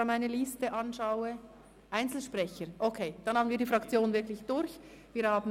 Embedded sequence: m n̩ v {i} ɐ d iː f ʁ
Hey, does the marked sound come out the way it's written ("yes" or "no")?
no